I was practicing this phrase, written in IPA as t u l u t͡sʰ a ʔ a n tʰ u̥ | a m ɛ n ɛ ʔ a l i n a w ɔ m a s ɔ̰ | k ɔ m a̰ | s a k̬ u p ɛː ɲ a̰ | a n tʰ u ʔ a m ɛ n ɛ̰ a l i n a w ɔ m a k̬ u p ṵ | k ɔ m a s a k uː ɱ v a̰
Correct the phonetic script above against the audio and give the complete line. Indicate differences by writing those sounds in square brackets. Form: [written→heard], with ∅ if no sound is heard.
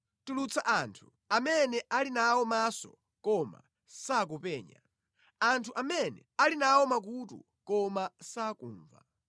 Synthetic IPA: t u l u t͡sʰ a ʔ a n tʰ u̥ | a m ɛ n ɛ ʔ a l i n a w ɔ m a s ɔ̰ | k ɔ m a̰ | s a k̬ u p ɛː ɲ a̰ | a n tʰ u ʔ a m ɛ n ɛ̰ a l i n a w ɔ m a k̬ u [p→t] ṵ | k ɔ m a s a k uː ɱ v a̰